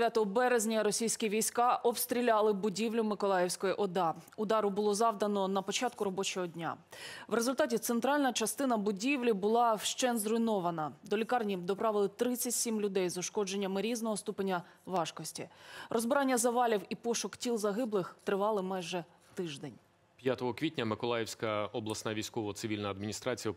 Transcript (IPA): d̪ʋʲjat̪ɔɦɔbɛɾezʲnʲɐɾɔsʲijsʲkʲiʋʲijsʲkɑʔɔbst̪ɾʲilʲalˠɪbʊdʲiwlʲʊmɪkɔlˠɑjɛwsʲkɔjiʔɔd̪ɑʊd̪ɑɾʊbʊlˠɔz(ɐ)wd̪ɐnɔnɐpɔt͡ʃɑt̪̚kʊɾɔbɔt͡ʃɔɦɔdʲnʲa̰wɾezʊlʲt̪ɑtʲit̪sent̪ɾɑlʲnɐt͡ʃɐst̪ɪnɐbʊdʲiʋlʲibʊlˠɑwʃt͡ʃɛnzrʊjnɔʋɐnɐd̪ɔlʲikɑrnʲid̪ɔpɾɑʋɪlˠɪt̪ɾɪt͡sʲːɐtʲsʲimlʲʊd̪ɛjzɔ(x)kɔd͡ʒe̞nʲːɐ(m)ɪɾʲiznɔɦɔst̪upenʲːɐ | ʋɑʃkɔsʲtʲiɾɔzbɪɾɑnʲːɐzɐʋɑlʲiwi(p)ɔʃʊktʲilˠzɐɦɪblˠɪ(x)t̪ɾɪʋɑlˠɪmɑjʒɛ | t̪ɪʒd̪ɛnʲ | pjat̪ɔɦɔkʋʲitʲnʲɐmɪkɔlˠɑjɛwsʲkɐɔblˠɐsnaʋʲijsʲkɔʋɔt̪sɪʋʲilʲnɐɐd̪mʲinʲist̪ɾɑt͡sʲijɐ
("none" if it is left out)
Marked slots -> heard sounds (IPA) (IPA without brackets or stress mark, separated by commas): ɑ, ʃ, m, p, x